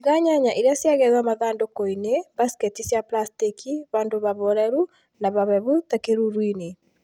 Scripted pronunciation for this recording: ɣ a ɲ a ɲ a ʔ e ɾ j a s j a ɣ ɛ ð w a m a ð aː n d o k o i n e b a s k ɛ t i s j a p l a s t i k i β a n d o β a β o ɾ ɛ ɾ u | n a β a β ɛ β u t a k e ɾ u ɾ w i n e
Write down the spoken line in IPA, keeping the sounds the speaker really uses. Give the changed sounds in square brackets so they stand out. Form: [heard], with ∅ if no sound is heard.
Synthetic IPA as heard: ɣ a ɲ a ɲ a ʔ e ɾ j a s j a ɣ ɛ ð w a m a ð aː n d o k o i n e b a s k ɛ t i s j a p l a s t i k i β a n d o β a β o ɾ ɛ ɾ u | n a β a β ɛ β u t a k e ɾ u ɾ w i n e